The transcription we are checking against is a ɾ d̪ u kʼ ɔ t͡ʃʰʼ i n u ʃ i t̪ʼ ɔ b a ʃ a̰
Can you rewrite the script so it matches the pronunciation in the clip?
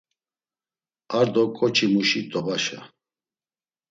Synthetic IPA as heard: a ɾ d̪ ɔ kʼ ɔ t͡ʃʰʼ i m u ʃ i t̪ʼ ɔ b a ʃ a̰